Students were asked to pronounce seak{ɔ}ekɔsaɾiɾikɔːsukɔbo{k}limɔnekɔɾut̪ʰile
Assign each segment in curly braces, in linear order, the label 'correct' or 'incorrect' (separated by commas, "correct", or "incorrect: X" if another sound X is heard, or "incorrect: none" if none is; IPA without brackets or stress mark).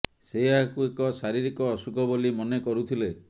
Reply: incorrect: u, incorrect: none